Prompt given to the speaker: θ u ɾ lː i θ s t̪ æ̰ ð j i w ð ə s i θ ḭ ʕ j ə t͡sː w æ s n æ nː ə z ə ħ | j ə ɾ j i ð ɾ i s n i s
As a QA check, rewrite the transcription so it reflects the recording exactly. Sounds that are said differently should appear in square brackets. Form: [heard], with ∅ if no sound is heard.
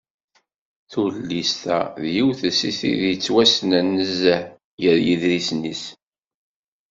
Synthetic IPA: θ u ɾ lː i [∅] s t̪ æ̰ ð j i w [θ] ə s i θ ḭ [ð] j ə t͡sː w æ s n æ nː ə z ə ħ | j ə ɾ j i ð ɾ i s n i s